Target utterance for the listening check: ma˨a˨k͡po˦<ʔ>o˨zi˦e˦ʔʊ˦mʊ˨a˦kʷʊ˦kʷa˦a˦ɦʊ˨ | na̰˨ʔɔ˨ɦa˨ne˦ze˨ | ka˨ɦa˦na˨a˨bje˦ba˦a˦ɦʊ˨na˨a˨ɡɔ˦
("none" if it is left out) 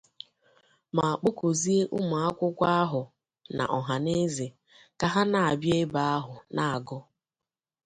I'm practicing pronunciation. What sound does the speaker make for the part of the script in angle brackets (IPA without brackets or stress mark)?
k